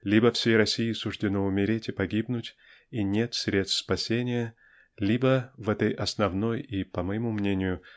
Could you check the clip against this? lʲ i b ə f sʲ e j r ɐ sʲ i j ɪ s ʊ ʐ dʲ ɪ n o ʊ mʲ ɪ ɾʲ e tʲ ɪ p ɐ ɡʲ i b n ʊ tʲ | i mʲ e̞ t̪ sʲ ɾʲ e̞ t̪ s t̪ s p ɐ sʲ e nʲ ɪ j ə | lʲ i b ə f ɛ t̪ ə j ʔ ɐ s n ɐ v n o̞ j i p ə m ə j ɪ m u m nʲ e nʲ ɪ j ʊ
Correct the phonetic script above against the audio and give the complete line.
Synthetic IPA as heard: lʲ i b ə f sʲ e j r ɐ sʲ i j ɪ s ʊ ʐ dʲ ɪ n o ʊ mʲ ɪ ɾʲ e tʲ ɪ p ɐ ɡʲ i b n ʊ tʲ | i nʲ e̞ t̪ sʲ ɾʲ e̞ t̪ s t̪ s p ɐ sʲ e nʲ ɪ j ə | lʲ i b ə v ɛ t̪ ə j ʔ ɐ s n ɐ v n o̞ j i p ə m ə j ɪ m u m nʲ e nʲ ɪ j ʊ